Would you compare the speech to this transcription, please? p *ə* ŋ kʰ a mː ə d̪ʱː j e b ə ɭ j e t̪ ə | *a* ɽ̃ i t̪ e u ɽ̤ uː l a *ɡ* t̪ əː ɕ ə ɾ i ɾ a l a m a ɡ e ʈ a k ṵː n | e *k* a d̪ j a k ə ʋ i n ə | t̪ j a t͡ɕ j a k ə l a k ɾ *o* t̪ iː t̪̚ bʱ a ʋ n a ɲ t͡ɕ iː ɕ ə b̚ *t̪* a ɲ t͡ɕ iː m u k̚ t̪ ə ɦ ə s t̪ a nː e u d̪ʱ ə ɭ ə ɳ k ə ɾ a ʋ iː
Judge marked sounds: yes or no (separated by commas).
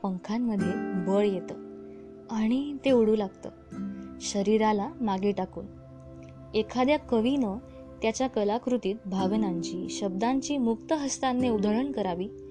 yes, yes, yes, no, no, no